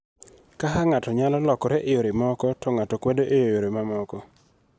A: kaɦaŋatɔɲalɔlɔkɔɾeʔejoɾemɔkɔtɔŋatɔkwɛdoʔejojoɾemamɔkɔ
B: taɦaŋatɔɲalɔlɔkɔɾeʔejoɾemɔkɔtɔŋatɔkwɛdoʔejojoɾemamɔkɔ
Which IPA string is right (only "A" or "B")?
A